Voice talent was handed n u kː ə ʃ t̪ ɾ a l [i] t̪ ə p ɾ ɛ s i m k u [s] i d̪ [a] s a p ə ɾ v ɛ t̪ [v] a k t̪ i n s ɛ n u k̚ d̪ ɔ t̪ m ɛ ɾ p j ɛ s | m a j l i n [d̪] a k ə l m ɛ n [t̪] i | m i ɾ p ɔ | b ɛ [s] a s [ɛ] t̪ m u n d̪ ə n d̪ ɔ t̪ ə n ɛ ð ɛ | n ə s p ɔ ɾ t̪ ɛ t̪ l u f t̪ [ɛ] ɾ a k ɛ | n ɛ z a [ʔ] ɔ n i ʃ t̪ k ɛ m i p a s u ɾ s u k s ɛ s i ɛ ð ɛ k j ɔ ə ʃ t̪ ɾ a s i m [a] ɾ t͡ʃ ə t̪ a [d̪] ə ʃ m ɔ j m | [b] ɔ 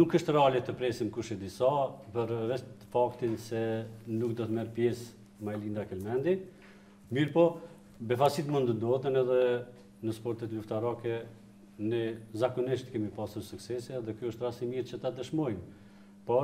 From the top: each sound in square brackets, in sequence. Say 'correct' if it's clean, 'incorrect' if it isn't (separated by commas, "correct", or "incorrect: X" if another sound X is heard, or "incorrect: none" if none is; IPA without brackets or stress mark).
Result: incorrect: ɛ, incorrect: ʃ, incorrect: i, incorrect: f, correct, incorrect: d̪, incorrect: f, incorrect: i, incorrect: a, incorrect: k, incorrect: i, correct, incorrect: p